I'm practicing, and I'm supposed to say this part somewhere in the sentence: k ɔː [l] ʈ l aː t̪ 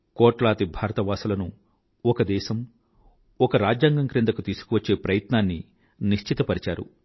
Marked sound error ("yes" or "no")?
yes